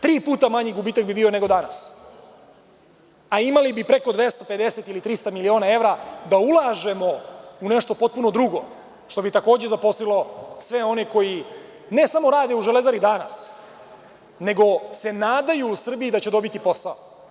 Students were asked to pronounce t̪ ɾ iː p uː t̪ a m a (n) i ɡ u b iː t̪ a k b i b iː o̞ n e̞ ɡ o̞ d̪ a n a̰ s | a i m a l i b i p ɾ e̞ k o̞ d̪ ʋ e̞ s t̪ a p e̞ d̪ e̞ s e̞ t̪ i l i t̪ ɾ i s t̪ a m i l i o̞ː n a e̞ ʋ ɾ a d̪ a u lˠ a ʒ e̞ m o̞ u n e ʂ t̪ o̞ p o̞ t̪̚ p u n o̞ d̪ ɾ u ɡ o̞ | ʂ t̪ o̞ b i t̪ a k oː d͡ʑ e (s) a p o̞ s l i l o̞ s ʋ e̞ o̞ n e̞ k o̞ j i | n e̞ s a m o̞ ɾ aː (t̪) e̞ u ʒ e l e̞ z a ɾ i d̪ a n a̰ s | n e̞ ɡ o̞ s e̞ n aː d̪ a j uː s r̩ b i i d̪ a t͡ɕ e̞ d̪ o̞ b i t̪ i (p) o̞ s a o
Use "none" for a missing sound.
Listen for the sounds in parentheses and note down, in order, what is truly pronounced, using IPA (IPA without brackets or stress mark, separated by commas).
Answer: ɲ, z, d̪, p